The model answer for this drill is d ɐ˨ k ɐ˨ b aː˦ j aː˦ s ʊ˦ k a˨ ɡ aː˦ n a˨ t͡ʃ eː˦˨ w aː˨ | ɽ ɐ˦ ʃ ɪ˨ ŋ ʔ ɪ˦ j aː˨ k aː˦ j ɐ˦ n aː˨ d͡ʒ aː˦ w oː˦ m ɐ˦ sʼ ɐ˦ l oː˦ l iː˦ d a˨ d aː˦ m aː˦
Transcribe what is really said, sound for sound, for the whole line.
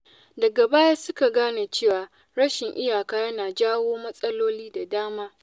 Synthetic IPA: d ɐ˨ ɡ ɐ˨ b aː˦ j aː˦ s ʊ˦ k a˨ ɡ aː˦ n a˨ t͡ʃ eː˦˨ w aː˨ | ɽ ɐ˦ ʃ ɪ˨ ŋ ʔ ɪ˦ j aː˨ k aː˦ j ɐ˦ n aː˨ d͡ʒ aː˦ w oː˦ m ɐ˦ sʼ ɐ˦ l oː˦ l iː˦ d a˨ d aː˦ m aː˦

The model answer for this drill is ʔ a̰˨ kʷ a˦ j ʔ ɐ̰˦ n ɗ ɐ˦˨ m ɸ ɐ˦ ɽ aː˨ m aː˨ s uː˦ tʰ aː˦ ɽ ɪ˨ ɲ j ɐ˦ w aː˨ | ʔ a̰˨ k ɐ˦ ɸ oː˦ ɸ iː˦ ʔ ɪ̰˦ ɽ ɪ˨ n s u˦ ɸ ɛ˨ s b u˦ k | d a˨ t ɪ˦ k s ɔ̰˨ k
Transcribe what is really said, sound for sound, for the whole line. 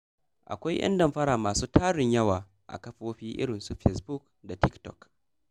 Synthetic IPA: ʔ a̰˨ kʷ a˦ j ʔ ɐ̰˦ n d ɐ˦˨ m ɸ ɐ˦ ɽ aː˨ m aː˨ s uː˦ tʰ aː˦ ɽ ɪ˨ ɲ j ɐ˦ w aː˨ | ʔ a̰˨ k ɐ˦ ɸ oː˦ ɸ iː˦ ʔ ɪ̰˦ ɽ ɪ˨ n s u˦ ɸ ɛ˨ s b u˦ k | d a˨ t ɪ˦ k t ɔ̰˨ k

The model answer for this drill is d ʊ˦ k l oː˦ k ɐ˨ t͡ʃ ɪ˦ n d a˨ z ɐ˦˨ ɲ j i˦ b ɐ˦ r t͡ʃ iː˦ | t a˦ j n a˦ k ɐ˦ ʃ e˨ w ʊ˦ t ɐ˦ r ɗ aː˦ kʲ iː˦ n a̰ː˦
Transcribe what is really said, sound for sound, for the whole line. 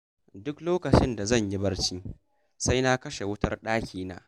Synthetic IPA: d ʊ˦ k l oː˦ k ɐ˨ t͡ʃ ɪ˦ n d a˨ z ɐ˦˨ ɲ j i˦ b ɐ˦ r t͡ʃ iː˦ | s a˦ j n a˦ k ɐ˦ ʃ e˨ w ʊ˦ t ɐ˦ r ɗ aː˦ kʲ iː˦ n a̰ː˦

